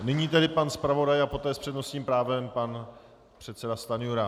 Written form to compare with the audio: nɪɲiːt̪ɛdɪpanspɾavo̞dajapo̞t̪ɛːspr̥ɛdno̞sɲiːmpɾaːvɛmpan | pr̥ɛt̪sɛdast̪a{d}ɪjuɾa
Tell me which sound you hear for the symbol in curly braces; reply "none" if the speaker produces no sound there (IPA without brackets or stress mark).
n